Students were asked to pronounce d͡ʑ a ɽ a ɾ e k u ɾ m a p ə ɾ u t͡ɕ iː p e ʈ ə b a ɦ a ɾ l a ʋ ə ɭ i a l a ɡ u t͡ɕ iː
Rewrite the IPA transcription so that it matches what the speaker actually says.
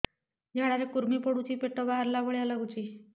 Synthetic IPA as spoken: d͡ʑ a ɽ a ɾ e k u ɾ m i p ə ɽ u t͡ɕ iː p e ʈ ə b a ɦ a ɾ l a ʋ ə ɭ j a l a ɡ u t͡ɕ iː

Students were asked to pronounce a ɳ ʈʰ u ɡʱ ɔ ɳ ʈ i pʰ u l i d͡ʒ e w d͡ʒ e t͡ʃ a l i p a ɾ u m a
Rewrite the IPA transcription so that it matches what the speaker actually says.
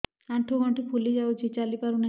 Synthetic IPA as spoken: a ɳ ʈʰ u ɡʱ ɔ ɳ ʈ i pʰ u l i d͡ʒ a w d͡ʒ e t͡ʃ a l i p a ɾ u n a

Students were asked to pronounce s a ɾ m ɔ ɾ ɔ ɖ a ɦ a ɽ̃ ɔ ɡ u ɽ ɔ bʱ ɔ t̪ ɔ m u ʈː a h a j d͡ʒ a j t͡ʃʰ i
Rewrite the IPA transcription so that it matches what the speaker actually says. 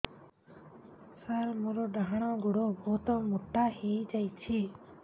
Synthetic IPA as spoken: s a ɾ m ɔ ɾ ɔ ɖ a ɦ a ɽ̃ ɔ ɡ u ɽ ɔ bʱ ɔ t̪ ɔ m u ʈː a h e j d͡ʒ a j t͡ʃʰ i

